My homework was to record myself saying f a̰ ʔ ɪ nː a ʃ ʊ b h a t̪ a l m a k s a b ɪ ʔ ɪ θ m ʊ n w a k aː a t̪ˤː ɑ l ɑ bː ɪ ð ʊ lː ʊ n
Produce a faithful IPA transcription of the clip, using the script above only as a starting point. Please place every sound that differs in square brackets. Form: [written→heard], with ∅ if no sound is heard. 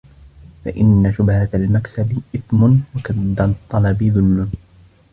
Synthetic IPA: f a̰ ʔ ɪ nː a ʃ ʊ b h a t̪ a l m a k s a b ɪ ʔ ɪ θ m ʊ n w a k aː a t̪ˤː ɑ l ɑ [bː→b] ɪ ð ʊ lː ʊ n